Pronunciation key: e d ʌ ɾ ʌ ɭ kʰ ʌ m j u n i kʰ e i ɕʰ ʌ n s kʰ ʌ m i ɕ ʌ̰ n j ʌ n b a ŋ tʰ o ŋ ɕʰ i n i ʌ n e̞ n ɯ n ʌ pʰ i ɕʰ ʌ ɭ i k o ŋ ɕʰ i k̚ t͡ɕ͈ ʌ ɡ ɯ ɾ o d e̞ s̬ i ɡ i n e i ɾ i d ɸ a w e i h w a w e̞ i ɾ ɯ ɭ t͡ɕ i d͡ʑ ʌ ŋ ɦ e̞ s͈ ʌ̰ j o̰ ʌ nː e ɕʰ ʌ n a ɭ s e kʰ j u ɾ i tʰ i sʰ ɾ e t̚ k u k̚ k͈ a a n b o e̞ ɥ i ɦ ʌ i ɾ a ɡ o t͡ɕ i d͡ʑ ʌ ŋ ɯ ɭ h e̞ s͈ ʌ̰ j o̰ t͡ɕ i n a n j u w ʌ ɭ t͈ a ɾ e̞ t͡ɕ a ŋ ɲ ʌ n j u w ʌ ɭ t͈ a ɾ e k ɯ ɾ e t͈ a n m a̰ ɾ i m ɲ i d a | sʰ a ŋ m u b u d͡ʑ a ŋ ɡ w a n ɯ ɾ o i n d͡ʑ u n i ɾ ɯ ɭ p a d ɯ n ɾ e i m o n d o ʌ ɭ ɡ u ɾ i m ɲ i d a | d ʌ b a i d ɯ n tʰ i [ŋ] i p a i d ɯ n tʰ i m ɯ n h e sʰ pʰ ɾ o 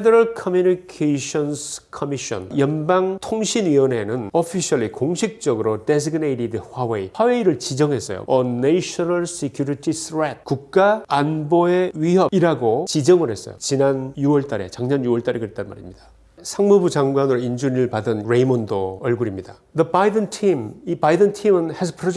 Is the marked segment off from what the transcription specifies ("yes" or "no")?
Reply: yes